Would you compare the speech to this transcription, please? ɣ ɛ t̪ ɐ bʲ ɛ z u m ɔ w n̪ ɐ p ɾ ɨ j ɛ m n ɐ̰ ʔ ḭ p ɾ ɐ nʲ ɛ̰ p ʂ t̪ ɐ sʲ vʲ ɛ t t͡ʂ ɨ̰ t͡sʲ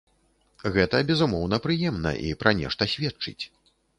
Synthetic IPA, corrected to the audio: ɣ ɛ t̪ ɐ bʲ ɛ z u m ɔ w n̪ ɐ p ɾ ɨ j ɛ m n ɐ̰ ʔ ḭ p ɾ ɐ nʲ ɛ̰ ʂ t̪ ɐ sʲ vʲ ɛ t t͡ʂ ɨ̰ t͡sʲ